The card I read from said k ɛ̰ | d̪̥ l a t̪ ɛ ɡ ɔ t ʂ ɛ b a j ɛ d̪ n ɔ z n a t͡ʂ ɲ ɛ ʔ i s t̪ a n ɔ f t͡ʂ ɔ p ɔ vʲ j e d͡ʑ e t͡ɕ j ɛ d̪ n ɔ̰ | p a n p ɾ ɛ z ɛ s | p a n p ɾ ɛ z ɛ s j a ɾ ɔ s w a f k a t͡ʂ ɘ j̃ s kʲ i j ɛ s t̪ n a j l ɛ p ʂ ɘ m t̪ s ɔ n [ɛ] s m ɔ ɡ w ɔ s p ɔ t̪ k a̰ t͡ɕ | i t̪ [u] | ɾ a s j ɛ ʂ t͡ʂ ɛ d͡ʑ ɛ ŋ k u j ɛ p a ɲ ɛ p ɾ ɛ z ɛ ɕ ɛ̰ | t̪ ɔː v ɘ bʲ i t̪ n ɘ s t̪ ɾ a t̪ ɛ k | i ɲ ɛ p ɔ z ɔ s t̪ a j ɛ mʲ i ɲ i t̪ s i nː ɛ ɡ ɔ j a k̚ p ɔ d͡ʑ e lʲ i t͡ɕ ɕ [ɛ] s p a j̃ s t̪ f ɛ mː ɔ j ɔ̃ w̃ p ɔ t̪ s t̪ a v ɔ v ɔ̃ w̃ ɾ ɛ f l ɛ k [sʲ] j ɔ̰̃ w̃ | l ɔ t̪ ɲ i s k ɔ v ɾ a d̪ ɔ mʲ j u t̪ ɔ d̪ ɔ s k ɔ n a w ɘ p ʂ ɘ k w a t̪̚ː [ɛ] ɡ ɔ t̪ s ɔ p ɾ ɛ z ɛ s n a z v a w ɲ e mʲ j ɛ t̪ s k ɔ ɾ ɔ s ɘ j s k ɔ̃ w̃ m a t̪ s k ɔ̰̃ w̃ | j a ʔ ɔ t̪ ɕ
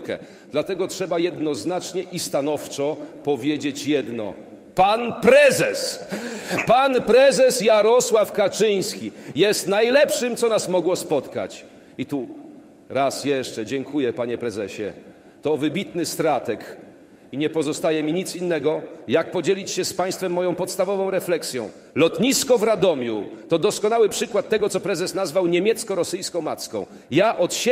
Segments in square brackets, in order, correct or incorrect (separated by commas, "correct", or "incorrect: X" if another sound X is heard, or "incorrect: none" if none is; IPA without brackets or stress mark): incorrect: a, correct, correct, correct, correct